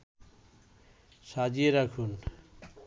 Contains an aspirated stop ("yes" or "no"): yes